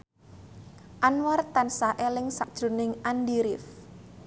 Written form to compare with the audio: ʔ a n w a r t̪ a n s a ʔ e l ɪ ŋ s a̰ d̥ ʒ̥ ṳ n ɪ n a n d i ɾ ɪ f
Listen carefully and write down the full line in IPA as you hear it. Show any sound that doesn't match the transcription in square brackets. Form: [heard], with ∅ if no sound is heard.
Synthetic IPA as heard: ʔ a n w a r t̪ a n s a ʔ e l ɪ ŋ s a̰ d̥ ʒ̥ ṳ n ɪ [ŋ] a n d i ɾ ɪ f